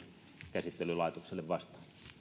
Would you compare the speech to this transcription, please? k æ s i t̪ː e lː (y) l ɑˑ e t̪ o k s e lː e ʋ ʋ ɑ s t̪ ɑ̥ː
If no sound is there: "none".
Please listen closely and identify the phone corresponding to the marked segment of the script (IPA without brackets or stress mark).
y